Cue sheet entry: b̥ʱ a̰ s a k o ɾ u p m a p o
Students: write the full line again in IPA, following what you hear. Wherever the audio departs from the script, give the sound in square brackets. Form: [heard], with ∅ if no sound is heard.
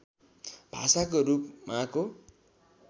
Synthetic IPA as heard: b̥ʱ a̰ s a k o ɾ u p m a [k] o